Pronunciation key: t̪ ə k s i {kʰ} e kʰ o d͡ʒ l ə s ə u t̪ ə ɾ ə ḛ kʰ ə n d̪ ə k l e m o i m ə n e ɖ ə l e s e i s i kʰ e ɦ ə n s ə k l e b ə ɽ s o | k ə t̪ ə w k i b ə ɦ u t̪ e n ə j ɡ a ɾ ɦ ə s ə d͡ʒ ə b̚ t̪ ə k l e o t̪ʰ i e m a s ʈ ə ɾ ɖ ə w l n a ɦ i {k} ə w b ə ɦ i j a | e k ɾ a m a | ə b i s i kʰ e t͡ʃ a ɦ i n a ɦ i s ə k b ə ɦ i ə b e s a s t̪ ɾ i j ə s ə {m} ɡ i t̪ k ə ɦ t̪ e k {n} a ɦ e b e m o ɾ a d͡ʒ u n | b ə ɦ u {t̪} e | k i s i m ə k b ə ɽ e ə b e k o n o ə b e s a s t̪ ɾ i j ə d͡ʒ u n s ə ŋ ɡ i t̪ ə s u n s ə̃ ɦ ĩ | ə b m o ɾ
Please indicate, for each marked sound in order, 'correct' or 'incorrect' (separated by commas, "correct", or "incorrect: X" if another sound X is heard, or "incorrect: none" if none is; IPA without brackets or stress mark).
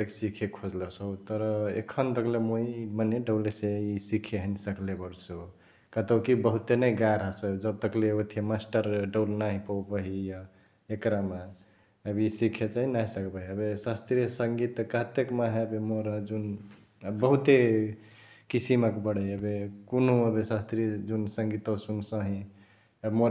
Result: correct, incorrect: p, incorrect: ŋ, incorrect: m, correct